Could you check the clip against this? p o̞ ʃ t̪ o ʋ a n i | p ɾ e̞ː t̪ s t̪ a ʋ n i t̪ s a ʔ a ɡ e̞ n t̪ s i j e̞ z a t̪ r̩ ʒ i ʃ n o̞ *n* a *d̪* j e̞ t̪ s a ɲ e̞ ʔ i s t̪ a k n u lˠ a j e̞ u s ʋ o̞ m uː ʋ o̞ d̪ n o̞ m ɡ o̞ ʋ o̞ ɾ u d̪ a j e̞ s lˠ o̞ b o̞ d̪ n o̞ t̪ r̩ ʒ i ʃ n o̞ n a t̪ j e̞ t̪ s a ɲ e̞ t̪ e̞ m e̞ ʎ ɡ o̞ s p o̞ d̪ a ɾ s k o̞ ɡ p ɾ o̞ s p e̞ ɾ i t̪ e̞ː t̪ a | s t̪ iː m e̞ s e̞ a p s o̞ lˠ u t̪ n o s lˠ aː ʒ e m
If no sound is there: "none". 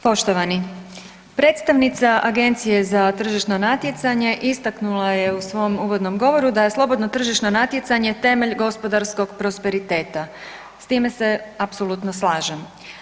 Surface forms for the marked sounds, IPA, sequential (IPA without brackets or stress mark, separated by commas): n, t̪